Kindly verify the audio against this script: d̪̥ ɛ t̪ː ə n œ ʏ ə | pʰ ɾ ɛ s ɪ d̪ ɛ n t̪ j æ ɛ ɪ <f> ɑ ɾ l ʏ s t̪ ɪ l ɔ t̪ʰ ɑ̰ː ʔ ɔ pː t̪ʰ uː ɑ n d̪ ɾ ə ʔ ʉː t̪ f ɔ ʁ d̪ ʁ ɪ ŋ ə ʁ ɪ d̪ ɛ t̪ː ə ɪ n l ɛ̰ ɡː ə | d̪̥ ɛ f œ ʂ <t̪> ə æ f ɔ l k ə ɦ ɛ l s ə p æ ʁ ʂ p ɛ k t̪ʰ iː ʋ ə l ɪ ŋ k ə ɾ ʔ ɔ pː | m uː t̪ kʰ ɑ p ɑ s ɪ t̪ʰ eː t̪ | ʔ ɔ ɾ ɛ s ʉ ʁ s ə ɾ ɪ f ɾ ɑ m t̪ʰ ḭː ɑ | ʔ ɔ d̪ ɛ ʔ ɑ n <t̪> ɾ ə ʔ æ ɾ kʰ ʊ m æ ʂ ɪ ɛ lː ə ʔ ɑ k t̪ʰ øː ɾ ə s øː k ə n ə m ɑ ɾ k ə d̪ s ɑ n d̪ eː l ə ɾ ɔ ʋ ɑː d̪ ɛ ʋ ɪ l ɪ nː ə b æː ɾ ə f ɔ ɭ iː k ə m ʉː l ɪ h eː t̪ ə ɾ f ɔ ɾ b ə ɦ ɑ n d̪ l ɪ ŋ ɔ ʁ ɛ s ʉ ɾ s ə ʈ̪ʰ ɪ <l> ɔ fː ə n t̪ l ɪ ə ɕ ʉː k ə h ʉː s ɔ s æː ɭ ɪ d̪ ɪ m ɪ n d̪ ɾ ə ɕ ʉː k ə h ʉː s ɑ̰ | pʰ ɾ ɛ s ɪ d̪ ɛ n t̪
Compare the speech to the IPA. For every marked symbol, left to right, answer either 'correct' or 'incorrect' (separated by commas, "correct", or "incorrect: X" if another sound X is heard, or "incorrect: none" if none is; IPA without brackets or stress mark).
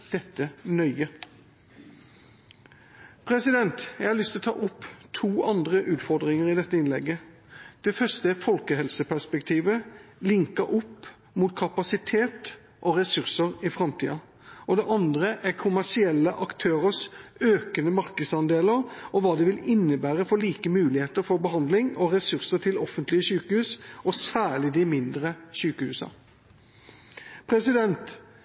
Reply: incorrect: h, correct, incorrect: d̪, correct